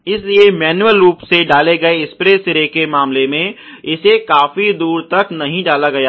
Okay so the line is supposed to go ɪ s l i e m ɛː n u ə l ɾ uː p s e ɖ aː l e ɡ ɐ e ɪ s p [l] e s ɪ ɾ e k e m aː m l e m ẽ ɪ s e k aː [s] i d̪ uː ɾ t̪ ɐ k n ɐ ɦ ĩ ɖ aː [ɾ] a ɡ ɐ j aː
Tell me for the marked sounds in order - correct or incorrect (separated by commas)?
incorrect, incorrect, incorrect